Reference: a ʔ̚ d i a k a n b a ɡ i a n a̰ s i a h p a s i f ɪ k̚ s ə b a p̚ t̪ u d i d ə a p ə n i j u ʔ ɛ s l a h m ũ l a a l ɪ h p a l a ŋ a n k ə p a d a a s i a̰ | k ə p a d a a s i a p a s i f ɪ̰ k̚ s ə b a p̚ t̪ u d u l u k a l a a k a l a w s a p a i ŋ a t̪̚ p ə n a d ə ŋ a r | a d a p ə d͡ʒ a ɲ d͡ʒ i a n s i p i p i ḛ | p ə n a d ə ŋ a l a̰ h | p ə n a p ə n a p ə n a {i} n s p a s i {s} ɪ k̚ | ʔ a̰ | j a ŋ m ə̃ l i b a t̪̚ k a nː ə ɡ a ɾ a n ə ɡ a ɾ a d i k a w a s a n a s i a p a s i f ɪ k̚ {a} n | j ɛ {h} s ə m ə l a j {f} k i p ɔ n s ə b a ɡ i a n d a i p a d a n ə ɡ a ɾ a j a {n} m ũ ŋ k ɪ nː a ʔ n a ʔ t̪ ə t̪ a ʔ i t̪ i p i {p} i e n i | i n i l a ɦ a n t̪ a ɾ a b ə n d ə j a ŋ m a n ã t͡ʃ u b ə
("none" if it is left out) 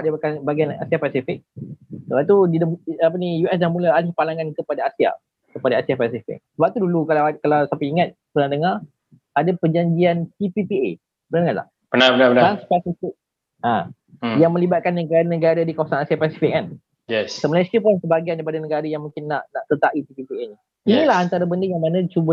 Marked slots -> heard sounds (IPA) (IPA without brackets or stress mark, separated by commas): a, f, a, s, s, ŋ, p